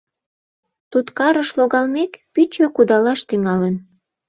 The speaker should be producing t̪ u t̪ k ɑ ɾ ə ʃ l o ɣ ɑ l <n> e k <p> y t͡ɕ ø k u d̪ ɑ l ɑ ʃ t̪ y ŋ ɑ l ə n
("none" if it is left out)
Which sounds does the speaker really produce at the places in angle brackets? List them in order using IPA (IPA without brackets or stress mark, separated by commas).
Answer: m, p